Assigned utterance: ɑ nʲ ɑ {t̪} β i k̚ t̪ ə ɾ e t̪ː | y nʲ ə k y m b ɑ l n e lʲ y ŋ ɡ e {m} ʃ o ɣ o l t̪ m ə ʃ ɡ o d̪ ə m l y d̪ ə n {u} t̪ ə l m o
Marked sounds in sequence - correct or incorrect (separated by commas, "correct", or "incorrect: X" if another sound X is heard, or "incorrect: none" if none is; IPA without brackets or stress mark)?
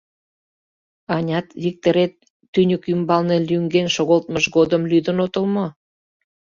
correct, incorrect: n, incorrect: o